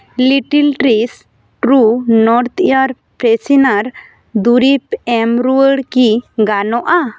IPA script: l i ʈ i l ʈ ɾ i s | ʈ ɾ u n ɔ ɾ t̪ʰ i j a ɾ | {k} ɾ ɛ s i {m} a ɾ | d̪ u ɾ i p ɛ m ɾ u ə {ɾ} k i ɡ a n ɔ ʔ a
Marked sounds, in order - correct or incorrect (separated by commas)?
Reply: incorrect, incorrect, incorrect